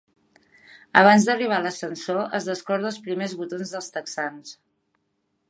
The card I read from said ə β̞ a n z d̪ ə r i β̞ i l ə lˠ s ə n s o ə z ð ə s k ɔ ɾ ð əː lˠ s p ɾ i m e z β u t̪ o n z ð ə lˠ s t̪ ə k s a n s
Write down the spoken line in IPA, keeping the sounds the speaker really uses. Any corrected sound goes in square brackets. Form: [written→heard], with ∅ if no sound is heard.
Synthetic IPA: ə β̞ a n z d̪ ə r i β̞ [i→a] l ə [lˠ→∅] s ə n s o ə z ð ə s k ɔ ɾ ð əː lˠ s p ɾ i m e z β u t̪ o n z ð ə lˠ s t̪ ə k s a n s